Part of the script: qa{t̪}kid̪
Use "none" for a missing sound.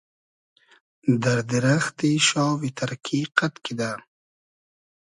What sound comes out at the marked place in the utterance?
t̪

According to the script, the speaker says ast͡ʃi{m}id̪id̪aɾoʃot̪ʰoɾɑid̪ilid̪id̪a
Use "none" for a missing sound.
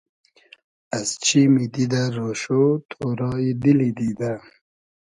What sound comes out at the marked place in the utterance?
m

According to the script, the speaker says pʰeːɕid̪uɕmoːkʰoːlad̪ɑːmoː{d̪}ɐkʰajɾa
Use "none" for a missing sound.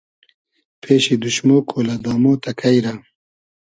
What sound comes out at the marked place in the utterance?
t̪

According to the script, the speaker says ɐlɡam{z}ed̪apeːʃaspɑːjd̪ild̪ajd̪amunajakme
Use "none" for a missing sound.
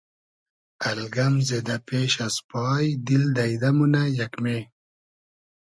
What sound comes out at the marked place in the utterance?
z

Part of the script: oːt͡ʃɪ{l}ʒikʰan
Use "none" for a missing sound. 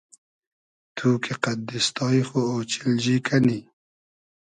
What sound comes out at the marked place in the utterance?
l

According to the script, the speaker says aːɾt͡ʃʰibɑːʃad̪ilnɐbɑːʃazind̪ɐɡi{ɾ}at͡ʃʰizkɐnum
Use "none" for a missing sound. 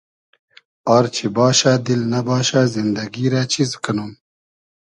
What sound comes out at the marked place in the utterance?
ɾ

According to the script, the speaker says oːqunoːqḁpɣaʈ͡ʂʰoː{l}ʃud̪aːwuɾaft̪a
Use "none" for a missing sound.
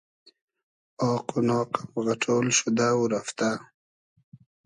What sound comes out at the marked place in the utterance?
l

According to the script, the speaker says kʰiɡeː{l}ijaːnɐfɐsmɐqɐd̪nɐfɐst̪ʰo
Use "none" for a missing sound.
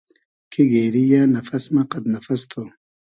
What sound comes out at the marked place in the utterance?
ɾ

